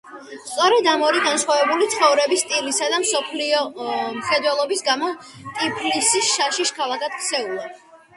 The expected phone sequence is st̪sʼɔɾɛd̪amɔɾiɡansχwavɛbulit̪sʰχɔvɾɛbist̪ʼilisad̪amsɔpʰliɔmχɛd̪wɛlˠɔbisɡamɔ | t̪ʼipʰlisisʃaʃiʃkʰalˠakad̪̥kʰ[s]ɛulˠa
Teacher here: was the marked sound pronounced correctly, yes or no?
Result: yes